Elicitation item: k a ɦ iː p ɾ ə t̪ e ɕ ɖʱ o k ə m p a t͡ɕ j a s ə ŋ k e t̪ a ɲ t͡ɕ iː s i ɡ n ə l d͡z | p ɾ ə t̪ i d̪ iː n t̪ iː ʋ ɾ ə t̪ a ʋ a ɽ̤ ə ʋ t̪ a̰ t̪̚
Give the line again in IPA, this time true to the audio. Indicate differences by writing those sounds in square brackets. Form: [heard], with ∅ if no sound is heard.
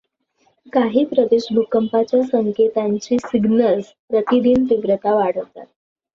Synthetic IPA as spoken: k a ɦ iː p ɾ ə [d̪] e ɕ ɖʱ [u] k ə m p a t͡ɕ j a s ə ŋ k e t̪ a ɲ t͡ɕ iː s i ɡ n ə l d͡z | p ɾ ə t̪ i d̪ iː n t̪ [i] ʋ ɾ ə t̪ a ʋ a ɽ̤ ə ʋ t̪ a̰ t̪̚